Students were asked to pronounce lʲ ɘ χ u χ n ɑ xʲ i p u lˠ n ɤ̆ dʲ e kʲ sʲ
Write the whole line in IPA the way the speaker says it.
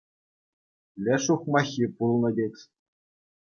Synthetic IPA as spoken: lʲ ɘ ʂ u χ m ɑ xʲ i p u lˠ n ɤ̆ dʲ e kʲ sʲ